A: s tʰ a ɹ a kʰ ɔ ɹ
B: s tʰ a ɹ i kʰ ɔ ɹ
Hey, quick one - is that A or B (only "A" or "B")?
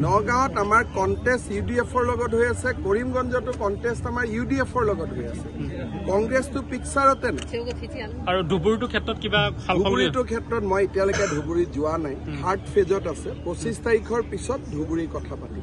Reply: B